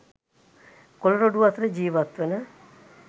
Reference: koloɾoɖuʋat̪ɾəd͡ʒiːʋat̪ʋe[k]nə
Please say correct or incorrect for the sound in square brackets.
incorrect